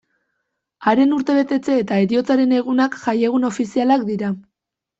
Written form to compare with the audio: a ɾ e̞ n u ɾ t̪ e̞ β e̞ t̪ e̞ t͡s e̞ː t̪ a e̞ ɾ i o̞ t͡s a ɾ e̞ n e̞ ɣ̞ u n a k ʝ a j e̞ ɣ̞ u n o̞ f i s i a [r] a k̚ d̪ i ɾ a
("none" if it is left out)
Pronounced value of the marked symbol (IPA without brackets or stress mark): l